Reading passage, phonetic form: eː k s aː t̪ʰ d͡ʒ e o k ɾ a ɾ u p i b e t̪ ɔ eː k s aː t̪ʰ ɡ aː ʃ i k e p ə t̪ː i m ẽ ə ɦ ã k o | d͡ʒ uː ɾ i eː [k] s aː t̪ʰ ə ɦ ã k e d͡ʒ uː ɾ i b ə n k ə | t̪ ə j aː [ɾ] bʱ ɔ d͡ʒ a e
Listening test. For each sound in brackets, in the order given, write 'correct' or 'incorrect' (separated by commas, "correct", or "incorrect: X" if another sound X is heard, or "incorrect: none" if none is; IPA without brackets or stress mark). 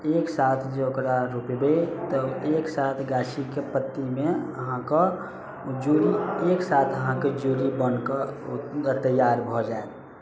correct, correct